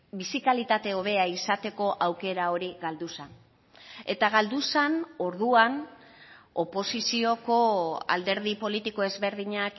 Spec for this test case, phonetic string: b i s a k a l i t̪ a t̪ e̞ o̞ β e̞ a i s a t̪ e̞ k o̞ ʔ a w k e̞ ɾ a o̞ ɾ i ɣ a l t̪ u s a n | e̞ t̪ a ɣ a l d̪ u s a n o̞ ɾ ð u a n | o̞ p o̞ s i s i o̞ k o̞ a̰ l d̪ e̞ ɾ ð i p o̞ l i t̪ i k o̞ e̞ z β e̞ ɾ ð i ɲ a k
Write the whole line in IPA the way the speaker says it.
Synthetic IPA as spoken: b i s i k a l i t̪ a t̪ e̞ o̞ β e̞ a i s a t̪ e̞ k o̞ ʔ a w k e̞ ɾ a o̞ ɾ i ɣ a l d̪ u s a n | e̞ t̪ a ɣ a l d̪ u s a n o̞ ɾ ð u a n | o̞ p o̞ s i s i o̞ k o̞ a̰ l d̪ e̞ ɾ ð i p o̞ l i t̪ i k o̞ e̞ z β e̞ ɾ ð i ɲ a k